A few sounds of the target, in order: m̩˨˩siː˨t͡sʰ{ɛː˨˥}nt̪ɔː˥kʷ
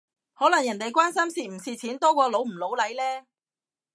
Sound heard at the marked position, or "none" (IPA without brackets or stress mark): iː˨˥